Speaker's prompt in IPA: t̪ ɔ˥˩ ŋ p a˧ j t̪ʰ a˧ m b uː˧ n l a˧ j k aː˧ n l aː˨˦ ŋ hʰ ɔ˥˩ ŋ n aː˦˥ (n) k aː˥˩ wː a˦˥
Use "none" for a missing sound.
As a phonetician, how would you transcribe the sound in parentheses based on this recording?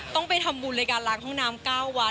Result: m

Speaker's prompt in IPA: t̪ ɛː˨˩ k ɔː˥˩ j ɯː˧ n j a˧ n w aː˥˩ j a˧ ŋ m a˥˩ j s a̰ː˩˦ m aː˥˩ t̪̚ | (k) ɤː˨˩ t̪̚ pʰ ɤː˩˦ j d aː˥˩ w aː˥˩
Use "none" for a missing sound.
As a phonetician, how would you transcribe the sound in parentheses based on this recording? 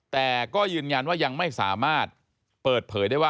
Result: p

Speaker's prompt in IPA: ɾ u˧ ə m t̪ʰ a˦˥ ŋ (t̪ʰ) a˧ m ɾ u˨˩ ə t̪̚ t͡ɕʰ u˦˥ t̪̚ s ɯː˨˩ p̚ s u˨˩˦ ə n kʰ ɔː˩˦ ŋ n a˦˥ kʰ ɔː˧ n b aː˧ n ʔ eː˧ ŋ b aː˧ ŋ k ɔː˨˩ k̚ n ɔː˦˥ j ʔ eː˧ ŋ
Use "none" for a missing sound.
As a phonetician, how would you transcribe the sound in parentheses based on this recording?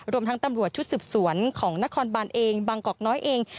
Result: t̪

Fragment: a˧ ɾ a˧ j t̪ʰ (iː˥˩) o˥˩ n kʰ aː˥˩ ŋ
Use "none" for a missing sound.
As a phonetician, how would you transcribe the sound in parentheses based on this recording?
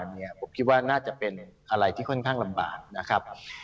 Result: iː˥˩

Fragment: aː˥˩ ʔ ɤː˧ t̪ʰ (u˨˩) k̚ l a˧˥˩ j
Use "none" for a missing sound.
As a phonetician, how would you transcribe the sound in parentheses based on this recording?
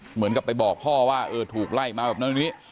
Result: uː˨˩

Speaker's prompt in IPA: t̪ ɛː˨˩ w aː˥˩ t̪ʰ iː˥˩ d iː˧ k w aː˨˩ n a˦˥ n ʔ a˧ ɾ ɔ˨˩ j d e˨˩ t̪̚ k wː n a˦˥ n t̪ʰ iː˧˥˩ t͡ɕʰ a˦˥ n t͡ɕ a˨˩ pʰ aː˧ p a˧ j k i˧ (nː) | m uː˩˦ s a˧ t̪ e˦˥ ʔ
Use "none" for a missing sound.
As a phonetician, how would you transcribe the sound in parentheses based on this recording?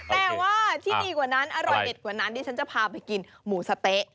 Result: n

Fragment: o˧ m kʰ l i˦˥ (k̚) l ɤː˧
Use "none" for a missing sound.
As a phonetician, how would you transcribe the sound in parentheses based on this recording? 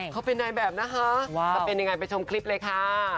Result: p̚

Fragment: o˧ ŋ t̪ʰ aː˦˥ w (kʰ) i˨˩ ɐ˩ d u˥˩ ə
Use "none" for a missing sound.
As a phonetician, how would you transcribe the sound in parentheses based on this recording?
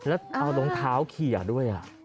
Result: kʰ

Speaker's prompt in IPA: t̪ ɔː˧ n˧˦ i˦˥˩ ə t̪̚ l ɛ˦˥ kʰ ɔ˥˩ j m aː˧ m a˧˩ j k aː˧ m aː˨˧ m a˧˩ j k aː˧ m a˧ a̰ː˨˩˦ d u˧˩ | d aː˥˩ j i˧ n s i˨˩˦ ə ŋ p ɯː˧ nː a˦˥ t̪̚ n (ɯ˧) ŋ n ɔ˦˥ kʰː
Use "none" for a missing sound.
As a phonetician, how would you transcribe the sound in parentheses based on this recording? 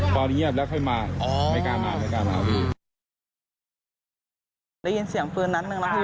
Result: ɯ˧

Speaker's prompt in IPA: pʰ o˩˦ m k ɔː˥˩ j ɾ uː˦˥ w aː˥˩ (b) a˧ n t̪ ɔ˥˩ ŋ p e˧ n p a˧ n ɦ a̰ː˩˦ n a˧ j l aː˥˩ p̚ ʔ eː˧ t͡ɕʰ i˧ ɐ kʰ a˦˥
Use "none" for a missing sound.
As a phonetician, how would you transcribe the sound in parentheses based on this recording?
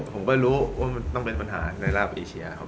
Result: m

